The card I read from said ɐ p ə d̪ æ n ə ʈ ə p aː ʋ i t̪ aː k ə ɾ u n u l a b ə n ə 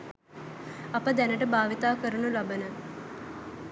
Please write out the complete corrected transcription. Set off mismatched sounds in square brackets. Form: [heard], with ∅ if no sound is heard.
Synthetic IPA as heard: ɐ p ə d̪ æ n ə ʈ ə [b] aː ʋ i t̪ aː k ə ɾ u n u l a b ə n ə

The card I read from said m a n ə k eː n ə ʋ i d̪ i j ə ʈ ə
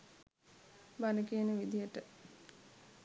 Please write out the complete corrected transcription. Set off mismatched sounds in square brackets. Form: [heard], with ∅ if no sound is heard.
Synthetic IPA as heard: [b] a n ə k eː n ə ʋ i d̪ i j ə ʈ ə

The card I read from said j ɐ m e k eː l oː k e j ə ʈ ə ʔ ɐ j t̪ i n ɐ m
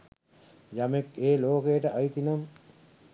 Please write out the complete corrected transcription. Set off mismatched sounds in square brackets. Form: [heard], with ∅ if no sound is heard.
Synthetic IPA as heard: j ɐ m e k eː l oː k e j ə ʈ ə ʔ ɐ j t̪ i n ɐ m

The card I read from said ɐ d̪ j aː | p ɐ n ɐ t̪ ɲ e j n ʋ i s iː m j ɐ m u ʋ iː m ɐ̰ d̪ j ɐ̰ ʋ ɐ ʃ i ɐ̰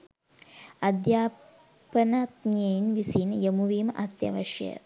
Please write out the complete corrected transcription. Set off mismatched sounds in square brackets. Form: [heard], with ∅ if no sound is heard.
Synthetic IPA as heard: ɐ d̪ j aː | p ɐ n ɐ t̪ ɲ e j n ʋ i s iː [n] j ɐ m u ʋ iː m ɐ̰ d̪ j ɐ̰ ʋ ɐ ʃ [j] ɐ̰

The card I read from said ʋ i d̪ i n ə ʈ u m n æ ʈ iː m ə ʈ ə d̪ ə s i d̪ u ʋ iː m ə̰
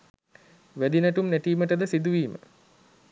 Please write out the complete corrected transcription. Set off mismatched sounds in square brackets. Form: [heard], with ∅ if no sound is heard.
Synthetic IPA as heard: ʋ [æ] d̪ i n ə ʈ u m n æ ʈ iː m ə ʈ ə d̪ ə s i d̪ u ʋ iː m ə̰

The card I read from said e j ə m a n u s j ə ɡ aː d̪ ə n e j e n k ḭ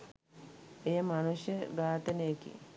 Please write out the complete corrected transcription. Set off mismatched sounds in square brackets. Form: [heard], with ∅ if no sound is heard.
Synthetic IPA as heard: e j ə m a n u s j ə ɡ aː [t̪] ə n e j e [∅] k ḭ

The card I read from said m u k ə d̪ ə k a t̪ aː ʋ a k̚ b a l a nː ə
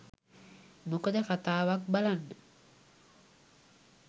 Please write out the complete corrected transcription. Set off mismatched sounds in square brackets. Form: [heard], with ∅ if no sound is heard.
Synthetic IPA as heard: m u k ə d̪ ə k a t̪ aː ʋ a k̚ b a l a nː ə

